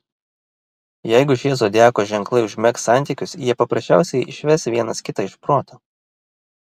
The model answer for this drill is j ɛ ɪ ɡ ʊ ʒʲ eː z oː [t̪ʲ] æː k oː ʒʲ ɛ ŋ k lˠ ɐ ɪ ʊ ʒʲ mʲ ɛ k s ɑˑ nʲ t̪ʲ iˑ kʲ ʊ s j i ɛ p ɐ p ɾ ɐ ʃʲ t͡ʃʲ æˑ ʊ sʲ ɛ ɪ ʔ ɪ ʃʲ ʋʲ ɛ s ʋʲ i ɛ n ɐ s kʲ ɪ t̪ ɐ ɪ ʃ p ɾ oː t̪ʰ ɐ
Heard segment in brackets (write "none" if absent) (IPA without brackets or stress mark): d̪ʲ